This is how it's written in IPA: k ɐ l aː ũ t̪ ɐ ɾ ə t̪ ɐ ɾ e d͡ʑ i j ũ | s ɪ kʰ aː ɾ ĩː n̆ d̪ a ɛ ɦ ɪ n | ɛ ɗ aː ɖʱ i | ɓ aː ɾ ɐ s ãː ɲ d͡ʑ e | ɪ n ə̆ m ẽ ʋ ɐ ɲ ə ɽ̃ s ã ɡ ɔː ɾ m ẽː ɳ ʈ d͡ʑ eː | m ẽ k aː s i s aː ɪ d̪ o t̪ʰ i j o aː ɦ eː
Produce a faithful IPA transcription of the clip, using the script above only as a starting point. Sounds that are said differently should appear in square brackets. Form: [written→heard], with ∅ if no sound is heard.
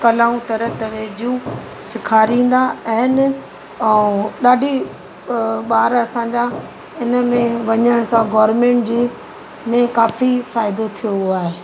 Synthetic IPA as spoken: k ɐ l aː ũ t̪ ɐ ɾ ə t̪ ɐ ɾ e d͡ʑ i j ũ | s ɪ kʰ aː ɾ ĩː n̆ d̪ a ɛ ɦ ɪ n | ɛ ɗ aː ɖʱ i | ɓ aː ɾ ɐ s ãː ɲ d͡ʑ [e→a] | ɪ n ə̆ m ẽ ʋ ɐ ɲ ə ɽ̃ s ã ɡ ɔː ɾ m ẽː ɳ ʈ d͡ʑ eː | m ẽ k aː [s→f] i [s→f] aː ɪ d̪ o t̪ʰ i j o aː ɦ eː